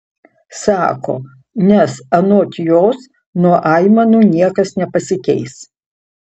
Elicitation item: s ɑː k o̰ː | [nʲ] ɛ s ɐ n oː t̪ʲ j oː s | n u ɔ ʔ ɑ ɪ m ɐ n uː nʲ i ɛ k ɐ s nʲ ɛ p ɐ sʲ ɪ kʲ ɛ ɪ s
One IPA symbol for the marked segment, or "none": nʲ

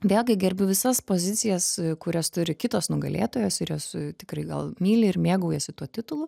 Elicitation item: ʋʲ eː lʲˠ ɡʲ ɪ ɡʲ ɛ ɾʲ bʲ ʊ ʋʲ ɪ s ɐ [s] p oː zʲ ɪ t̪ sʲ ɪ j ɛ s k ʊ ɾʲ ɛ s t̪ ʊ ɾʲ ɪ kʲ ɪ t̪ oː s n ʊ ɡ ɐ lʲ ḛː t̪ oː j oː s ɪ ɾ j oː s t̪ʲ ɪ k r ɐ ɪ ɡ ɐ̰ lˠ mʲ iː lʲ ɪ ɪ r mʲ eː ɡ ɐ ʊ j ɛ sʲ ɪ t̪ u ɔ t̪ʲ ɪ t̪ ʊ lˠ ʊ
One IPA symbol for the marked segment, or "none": s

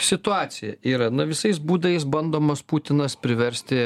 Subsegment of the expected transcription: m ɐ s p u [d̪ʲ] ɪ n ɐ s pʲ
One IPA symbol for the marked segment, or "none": t̪ʲ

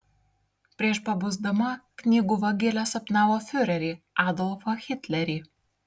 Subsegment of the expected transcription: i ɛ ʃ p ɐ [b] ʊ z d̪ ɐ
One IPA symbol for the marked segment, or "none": b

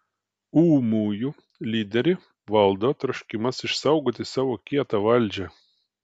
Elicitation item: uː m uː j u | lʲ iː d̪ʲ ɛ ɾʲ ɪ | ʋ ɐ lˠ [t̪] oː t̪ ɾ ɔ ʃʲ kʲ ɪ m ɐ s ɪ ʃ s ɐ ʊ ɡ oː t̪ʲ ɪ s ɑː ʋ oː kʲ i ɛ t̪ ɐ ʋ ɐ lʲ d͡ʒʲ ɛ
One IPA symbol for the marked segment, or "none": d̪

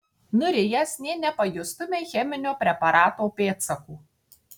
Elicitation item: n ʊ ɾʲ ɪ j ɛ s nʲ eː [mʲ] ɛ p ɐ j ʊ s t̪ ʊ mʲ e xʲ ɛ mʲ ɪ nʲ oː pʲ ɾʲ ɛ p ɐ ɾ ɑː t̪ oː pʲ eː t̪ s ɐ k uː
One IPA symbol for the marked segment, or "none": nʲ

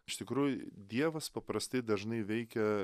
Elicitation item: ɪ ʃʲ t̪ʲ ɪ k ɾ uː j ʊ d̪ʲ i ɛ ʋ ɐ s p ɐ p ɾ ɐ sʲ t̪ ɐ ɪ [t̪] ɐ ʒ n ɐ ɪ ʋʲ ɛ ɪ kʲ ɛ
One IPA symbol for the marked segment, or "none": d̪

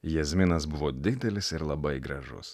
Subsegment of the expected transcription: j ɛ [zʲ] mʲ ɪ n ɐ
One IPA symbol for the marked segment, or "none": zʲ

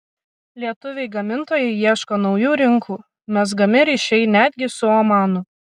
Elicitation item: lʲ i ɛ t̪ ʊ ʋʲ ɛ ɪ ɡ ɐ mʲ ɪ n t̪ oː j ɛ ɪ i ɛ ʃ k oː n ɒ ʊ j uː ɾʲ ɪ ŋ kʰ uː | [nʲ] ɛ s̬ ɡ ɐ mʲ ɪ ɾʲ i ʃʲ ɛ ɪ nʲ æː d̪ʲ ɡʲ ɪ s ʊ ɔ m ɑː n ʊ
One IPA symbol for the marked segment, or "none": mʲ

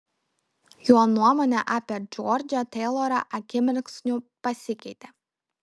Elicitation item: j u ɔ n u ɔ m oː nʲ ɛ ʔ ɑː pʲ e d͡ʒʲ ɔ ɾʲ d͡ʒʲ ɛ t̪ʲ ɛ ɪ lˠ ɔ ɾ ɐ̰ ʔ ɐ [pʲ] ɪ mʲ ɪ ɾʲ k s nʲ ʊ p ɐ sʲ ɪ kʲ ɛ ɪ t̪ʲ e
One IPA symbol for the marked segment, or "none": kʲ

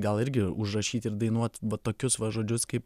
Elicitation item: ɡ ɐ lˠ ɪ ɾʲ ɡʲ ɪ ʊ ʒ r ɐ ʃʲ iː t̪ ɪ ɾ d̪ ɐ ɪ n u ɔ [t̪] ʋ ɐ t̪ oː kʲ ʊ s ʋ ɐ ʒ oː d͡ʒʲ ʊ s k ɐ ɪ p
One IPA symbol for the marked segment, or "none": t̪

